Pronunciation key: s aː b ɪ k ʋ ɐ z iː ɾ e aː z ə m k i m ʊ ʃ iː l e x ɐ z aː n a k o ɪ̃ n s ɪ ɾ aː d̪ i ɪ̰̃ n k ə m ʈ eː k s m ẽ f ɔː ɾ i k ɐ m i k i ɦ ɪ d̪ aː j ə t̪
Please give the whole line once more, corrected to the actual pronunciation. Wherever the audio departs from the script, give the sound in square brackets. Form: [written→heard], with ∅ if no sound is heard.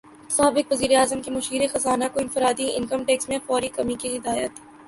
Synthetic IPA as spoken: s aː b ɪ k ʋ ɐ z iː ɾ e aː z ə m k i m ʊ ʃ iː [l→ɾ] e x ɐ z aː n a k o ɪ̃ n [s→f] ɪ ɾ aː d̪ i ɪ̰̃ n k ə m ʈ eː k s m ẽ f ɔː ɾ i k ɐ m i k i ɦ ɪ d̪ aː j ə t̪